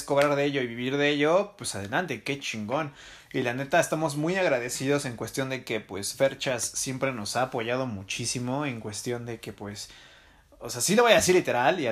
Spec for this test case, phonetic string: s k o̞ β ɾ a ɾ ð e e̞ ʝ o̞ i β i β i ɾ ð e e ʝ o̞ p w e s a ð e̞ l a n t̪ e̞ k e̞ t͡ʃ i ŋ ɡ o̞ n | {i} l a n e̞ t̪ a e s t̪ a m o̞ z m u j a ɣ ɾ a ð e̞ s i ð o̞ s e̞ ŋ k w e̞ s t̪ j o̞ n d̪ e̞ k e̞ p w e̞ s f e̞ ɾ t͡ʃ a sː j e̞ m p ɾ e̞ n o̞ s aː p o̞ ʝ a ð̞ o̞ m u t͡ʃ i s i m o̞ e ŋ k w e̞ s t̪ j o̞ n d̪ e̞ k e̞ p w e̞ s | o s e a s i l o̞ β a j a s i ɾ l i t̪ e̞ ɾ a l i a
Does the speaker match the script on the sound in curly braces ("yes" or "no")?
yes